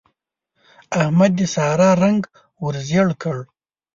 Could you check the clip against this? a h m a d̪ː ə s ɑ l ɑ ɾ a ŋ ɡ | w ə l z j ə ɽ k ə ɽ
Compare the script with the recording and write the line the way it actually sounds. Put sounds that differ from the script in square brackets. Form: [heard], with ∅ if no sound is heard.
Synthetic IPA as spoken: a h m a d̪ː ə s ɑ [ɾ] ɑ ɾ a ŋ ɡ | w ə [ɾ] z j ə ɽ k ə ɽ